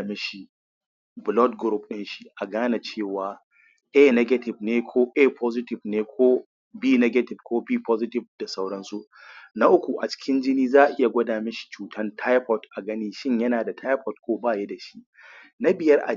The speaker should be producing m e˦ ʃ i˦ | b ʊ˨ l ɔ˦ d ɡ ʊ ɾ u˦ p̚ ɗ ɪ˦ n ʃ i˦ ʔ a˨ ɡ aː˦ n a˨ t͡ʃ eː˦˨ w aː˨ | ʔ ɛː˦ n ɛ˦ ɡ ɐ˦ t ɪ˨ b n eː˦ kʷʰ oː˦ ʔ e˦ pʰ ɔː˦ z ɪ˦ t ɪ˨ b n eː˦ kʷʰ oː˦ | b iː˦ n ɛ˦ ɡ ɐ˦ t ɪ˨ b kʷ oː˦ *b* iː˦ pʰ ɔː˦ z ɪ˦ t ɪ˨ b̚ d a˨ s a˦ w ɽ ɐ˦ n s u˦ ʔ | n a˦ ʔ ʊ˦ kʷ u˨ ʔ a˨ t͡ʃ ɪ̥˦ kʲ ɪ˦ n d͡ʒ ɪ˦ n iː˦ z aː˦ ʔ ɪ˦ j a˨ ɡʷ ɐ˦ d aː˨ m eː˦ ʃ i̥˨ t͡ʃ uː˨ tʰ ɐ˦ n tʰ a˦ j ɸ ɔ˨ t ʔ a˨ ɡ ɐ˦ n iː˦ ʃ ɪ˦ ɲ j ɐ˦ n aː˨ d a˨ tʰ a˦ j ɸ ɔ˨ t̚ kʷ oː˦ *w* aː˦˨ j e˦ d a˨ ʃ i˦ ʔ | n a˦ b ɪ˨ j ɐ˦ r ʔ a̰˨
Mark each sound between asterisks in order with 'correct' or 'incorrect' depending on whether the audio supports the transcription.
correct, incorrect: b

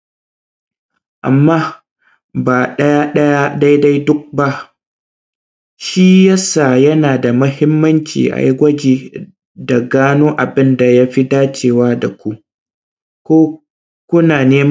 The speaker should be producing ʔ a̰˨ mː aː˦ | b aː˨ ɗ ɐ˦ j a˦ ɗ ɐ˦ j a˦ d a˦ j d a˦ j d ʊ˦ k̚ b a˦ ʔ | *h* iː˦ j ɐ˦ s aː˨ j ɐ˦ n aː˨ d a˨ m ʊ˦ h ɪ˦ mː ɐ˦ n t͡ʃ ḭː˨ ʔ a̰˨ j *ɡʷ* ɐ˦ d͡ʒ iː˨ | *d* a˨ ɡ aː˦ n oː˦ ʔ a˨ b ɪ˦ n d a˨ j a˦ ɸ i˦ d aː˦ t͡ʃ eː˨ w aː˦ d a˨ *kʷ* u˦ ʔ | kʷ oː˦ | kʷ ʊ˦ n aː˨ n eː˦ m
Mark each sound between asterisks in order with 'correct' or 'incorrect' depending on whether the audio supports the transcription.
incorrect: ʃ, correct, correct, correct

